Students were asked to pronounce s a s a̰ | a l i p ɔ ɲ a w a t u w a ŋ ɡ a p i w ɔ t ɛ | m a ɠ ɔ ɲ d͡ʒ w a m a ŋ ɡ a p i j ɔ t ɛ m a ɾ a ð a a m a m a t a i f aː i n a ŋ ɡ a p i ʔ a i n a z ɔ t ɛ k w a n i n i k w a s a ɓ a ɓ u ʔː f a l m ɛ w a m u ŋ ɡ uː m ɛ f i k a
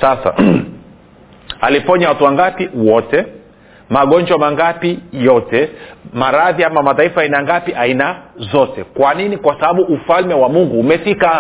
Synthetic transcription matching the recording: s a s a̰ | a l i p ɔ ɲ a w a t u w a ŋ ɡ a p i w ɔ t ɛ | m a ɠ ɔ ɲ d͡ʒ w a m a ŋ ɡ a p i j ɔ t ɛ m a ɾ a ð i a m a m a t a i f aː i n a ŋ ɡ a p i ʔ a i n a z ɔ t ɛ k w a n i n i k w a s a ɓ a ɓ u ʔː f a l m ɛ w a m u ŋ ɡ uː m ɛ f i k a